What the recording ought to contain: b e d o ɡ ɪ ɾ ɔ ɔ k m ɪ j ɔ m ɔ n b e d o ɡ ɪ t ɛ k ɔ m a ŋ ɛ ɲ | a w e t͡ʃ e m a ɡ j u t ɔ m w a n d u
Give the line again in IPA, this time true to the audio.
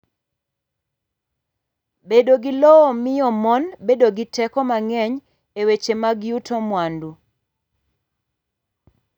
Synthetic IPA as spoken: b e d o ɡ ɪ l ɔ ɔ m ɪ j ɔ m ɔ n b e d o ɡ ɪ t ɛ k ɔ m a ŋ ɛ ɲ | e w e t͡ʃ e m a ɡ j u t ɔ m w a n d u